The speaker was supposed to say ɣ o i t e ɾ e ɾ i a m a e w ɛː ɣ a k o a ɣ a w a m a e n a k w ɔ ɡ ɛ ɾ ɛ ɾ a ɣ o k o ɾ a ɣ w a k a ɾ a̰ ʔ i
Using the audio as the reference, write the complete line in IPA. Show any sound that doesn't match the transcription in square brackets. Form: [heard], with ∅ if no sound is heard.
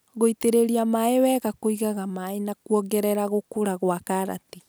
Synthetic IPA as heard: ɣ o i t e ɾ e ɾ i a m a e w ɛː ɣ a k o [i] ɣ a [ɣ] a m a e n a k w ɔ ɡ ɛ ɾ ɛ ɾ a ɣ o k o ɾ a ɣ w a k a ɾ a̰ [t] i